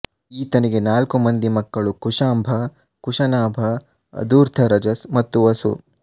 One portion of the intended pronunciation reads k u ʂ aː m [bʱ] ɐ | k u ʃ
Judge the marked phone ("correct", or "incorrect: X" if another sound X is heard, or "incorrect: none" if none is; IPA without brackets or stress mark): correct